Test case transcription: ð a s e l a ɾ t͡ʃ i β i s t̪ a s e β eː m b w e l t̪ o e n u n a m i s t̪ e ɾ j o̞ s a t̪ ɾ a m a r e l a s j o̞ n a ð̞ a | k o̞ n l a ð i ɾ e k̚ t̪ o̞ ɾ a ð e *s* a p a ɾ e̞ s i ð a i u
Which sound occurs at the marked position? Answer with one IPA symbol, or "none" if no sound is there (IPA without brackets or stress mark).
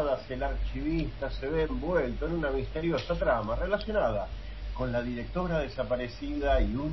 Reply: s